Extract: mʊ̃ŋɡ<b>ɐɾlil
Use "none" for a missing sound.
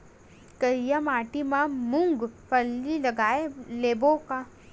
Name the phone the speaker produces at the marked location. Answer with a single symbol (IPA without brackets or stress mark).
p